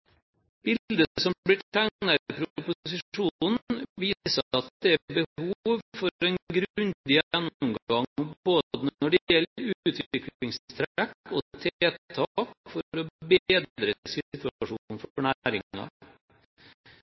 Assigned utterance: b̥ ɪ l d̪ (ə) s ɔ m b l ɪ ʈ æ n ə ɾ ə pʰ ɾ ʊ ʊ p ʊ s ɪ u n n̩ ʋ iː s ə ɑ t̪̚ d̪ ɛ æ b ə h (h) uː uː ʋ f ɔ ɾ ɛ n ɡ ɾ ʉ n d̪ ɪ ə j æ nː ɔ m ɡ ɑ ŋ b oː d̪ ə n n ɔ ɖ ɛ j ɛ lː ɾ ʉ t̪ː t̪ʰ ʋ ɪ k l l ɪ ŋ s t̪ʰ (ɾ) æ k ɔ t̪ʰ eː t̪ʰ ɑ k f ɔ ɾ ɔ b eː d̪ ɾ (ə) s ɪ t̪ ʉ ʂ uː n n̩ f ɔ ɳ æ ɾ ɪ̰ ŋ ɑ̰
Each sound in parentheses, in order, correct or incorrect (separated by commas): correct, correct, correct, correct